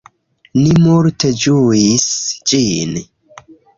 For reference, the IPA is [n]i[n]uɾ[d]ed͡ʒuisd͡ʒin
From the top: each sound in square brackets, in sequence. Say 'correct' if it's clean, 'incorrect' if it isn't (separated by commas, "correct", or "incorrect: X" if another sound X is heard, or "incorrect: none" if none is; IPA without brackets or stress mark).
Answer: correct, incorrect: m, incorrect: t